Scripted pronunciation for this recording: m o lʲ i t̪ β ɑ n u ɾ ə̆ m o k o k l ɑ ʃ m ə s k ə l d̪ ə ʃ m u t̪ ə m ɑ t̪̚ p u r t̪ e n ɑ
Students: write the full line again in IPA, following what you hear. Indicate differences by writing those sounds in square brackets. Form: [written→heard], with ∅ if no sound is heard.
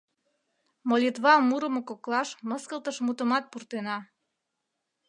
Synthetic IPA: m o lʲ i t̪ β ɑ [n→m] u ɾ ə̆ m o k o k l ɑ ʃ m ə s k ə l [d̪→t̪] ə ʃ m u t̪ ə m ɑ t̪̚ p u r t̪ e n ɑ